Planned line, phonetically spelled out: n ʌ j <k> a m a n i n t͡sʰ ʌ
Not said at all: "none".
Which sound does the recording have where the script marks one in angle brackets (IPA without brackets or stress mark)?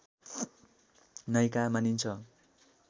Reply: k